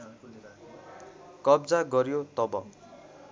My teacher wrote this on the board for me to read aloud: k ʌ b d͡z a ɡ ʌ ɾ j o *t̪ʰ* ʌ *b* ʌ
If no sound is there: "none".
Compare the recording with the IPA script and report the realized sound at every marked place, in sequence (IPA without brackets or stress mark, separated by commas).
t̪, b